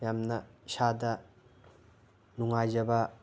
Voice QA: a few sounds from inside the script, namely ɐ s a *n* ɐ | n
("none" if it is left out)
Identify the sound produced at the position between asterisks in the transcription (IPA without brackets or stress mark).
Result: d